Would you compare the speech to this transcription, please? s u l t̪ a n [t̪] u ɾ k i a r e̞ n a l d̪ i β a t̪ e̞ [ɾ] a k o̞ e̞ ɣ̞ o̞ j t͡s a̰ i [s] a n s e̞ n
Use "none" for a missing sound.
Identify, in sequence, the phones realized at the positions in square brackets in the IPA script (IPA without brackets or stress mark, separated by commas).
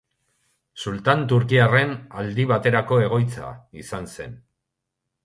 t̪, ɾ, s